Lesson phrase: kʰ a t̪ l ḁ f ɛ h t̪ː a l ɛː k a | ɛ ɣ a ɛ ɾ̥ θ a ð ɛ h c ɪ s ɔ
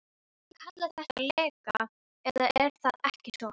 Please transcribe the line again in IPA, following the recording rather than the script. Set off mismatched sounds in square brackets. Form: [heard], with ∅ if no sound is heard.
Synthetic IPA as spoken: kʰ a t̪ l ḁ [θ] ɛ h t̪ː a l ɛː k a | ɛ [ð] a ɛ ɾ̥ θ a ð ɛ h c ɪ s ɔ